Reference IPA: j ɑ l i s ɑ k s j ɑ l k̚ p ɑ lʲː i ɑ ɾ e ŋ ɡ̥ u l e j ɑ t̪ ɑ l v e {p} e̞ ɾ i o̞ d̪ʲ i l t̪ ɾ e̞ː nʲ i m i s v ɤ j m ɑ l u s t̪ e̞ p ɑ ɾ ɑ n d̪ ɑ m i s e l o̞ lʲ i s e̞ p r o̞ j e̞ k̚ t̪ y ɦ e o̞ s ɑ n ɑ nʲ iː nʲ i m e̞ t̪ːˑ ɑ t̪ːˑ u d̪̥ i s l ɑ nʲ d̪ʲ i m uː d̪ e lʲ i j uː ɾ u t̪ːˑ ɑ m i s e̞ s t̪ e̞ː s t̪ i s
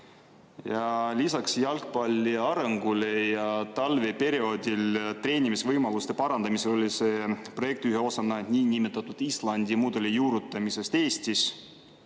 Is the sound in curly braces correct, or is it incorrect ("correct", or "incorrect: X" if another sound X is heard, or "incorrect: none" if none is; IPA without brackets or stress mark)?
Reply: correct